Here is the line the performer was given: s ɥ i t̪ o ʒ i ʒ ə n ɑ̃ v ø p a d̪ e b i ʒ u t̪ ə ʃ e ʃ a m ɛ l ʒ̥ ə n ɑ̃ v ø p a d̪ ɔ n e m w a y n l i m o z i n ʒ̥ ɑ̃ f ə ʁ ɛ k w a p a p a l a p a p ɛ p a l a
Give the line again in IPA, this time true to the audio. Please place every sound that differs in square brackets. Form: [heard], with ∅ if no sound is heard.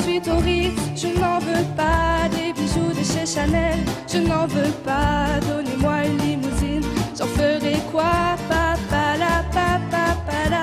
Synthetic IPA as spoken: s ɥ i t̪ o [ʁ] i ʒ ə n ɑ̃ v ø p a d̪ e b i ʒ u [d̪] ə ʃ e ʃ a [n] ɛ l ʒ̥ ə n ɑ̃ v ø p a d̪ ɔ n e m w a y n l i m [u] z i n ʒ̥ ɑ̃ f ə ʁ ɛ k w a p a p a l a p a p [a] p a l a